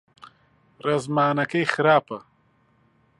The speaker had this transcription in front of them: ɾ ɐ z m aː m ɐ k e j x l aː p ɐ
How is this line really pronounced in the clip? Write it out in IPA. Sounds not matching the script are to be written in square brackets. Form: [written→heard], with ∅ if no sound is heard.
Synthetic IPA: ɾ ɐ z m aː [m→n] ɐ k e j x [l→ɾ] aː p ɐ